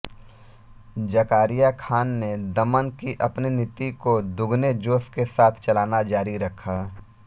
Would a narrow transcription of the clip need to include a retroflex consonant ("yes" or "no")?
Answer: no